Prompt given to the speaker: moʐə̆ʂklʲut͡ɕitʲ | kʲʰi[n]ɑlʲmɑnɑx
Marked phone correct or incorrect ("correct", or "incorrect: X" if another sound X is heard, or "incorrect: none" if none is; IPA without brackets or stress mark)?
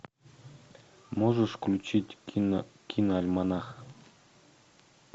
correct